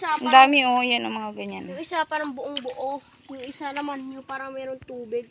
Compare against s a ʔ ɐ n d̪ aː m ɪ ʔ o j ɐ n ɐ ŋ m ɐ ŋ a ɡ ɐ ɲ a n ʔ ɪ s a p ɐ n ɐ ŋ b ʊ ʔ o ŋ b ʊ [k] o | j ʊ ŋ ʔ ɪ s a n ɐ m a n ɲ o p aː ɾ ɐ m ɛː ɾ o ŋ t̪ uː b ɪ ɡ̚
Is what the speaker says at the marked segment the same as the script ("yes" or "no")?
no